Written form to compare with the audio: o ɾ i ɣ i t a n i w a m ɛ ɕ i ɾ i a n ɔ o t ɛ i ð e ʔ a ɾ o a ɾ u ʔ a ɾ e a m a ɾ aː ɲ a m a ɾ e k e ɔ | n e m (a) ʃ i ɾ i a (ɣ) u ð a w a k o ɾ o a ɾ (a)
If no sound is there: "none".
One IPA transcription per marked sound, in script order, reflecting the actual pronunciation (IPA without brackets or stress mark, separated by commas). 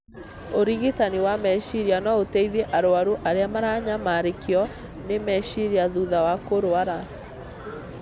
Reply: ɛ, ð, a